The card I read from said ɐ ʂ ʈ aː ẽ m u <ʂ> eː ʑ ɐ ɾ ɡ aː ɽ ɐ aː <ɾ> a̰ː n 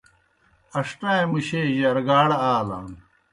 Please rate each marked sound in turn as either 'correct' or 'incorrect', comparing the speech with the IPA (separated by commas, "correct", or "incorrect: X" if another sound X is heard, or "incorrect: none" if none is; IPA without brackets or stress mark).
incorrect: ɕ, incorrect: l